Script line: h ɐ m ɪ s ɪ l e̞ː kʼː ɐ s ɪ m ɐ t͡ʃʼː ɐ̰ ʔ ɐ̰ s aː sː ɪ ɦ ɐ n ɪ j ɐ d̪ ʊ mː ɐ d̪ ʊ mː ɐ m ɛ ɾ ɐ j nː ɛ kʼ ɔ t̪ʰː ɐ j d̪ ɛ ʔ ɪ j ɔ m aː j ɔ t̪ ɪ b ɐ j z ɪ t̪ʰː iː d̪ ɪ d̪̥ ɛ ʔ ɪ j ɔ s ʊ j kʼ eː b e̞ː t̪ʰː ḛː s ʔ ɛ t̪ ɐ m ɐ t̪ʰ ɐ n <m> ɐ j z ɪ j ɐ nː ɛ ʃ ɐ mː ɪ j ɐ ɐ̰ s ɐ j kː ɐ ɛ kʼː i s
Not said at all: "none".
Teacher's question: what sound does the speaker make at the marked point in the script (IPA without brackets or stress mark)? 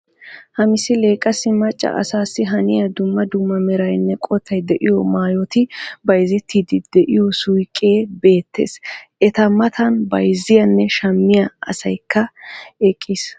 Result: b